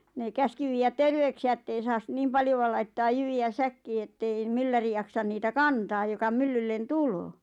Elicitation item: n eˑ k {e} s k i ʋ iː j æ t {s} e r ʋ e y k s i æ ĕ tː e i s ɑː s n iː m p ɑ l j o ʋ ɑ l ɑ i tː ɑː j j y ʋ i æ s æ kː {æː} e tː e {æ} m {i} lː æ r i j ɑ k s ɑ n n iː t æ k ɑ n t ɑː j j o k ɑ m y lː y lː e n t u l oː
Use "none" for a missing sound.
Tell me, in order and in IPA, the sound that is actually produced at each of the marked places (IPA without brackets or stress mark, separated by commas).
æ, t, iː, i, y